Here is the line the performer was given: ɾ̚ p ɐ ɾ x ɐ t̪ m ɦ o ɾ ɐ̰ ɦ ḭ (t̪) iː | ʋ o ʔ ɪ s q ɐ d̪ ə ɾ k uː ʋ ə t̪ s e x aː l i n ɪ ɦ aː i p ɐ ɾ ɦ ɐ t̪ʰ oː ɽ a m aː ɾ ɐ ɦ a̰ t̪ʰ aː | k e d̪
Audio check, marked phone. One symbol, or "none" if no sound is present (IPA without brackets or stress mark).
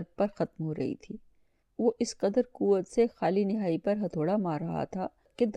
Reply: t̪ʰ